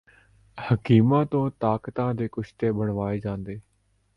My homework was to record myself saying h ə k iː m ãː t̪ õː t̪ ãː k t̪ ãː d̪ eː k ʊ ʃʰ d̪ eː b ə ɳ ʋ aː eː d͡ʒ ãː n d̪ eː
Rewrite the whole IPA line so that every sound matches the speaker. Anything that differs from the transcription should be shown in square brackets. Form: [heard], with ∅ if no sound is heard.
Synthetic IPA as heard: h ə k iː m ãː t̪ õː t̪ [aː] k t̪ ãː d̪ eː k ʊ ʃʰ [t̪] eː b ə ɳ ʋ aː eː d͡ʒ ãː n d̪ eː